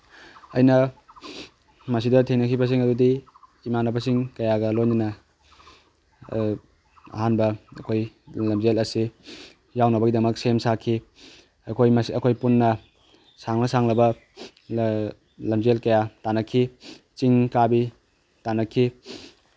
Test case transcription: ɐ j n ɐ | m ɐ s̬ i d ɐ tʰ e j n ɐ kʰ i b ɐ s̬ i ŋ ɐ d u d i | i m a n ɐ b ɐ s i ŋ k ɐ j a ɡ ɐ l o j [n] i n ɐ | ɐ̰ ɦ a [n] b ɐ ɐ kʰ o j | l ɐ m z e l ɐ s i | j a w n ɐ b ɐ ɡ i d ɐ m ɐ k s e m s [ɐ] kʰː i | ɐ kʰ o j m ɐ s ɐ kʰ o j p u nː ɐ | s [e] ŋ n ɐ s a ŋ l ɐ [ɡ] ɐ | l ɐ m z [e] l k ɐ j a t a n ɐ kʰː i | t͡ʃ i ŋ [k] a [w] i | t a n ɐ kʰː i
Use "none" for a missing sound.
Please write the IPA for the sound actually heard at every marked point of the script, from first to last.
n, n, a, a, b, e, k, b

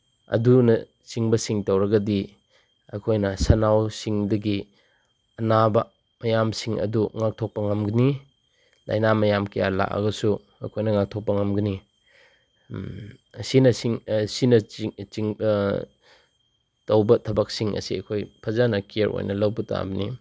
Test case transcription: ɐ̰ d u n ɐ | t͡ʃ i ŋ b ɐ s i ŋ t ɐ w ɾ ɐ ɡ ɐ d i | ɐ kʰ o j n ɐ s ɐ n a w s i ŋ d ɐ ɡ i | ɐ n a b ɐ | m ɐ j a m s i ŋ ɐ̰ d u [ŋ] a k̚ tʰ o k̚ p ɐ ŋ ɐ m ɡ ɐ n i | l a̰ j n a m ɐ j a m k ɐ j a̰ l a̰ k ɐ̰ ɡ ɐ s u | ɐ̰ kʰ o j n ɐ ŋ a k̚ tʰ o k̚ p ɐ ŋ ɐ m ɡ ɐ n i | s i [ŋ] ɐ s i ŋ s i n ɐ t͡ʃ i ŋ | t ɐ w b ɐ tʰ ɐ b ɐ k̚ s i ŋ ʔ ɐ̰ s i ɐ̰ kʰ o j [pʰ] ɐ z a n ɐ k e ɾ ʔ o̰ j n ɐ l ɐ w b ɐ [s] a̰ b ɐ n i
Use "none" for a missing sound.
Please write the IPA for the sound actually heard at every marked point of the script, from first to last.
ŋ, n, pʰ, t

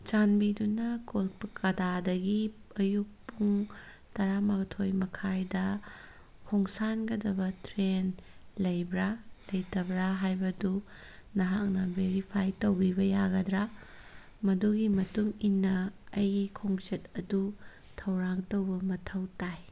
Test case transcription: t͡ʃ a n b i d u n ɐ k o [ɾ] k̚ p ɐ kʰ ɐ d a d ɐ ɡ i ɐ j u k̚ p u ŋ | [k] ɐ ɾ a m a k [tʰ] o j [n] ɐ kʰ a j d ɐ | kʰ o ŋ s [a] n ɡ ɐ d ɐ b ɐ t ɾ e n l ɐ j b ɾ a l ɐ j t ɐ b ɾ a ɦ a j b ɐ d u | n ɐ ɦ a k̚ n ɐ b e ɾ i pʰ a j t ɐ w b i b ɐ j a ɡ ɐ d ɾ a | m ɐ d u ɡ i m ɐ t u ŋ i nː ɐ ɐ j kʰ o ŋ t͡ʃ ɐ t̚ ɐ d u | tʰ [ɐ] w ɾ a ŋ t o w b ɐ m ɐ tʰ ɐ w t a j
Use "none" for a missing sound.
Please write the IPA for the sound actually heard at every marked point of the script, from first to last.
l, t, tʰ, m, a, ɐ

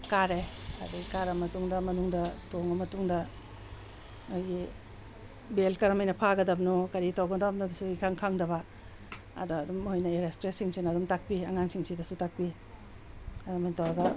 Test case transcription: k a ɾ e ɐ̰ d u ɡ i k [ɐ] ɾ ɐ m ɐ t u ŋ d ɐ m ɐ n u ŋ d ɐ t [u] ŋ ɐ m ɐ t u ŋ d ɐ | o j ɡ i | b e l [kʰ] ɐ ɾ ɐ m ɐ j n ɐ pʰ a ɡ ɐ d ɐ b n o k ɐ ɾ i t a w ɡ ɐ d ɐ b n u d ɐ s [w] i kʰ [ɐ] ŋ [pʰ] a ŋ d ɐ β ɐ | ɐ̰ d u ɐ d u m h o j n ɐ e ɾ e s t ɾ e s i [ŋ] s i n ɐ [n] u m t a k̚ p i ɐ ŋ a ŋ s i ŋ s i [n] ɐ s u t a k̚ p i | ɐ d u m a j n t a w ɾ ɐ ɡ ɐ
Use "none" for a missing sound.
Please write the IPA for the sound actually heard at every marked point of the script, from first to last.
a, o, k, u, a, kʰ, ŋ, d, d

